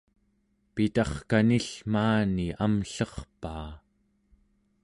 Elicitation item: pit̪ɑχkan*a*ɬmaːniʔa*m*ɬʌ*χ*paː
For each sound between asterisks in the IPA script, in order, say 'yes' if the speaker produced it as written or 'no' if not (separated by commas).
no, yes, yes